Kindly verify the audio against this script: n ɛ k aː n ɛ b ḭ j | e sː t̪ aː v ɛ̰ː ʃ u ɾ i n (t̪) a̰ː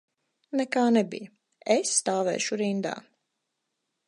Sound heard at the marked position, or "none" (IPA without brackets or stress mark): d̪